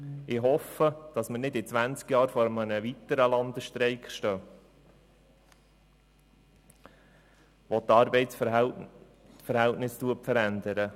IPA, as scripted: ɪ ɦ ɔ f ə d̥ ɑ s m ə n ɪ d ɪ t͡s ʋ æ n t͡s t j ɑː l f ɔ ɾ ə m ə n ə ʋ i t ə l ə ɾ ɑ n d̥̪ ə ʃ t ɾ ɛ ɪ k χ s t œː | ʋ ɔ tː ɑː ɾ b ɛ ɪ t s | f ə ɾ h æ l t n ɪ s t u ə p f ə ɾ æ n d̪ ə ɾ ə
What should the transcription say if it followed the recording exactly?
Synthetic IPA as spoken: ɪ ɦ ɔ f ə d̥ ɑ s m ə n ɪ d ɪ t͡s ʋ æ n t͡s k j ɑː ɾ f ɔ ɾ ə m ə n ə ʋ i t ə ɾ ə l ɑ n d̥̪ ə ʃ t ɾ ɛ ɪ k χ ʃ t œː | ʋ ɔ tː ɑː ɾ b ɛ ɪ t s | f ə ɾ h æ l t n ɪ s t u ə p f ə ɾ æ n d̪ ə ɾ ə